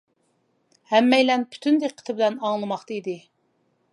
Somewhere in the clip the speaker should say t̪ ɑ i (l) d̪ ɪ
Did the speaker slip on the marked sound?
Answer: yes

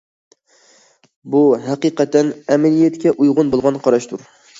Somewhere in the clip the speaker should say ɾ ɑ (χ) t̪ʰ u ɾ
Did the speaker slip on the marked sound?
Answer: yes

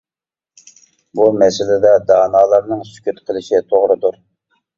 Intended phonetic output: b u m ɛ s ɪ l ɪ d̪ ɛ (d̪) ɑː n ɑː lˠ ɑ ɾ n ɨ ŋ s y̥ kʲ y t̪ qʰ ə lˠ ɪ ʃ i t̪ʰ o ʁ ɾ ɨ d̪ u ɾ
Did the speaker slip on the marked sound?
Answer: no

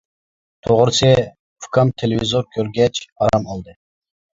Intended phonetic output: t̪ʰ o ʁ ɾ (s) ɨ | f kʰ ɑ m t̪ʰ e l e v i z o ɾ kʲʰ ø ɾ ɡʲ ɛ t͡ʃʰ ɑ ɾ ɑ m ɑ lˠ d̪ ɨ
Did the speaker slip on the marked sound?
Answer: no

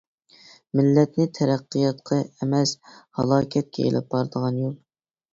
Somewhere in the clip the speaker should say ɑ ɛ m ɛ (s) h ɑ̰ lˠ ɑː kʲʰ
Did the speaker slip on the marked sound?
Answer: no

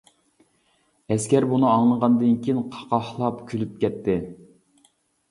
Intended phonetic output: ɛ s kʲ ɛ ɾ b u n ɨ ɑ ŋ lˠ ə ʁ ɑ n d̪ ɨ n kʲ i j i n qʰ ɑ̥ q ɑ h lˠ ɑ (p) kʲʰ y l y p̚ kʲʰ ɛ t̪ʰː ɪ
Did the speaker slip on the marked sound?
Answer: no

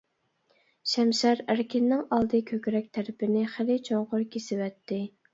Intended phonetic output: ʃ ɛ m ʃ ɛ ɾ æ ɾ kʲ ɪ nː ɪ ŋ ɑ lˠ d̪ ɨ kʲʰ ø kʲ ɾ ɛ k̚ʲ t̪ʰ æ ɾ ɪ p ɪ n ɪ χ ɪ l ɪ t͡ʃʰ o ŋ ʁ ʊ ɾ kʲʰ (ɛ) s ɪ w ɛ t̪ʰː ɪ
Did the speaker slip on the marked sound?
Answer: yes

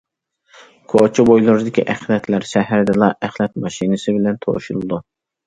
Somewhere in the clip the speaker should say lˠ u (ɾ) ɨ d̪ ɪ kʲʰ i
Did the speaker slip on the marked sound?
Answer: no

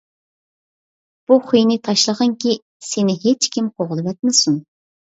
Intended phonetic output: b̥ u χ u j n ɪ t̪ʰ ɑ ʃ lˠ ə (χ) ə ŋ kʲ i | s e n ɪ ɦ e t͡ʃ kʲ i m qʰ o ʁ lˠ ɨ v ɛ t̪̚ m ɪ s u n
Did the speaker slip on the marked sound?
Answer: yes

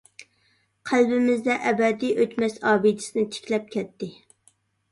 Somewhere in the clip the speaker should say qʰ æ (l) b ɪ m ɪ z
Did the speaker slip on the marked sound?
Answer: no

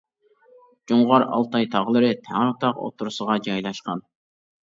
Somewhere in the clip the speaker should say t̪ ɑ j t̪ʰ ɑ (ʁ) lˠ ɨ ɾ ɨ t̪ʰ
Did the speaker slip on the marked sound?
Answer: no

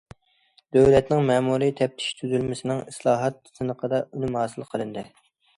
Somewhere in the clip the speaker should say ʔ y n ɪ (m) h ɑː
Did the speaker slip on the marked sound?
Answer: no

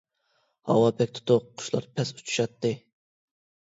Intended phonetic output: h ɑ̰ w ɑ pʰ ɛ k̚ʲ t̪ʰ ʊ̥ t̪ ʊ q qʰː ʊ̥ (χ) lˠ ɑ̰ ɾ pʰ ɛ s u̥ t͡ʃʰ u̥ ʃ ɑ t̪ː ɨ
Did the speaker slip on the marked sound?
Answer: yes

